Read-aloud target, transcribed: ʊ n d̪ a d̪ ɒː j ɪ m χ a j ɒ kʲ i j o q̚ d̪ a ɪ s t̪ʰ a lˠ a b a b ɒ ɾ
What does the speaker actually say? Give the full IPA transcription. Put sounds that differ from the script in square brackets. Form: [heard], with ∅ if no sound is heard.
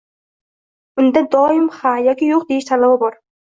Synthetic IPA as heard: ʊ n d̪ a d̪ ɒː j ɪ m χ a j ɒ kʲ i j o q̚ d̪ [e] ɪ [ʃ] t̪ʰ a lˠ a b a b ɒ ɾ